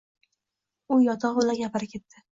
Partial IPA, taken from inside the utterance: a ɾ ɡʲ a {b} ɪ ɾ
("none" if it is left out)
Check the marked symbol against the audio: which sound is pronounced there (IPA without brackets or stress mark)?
p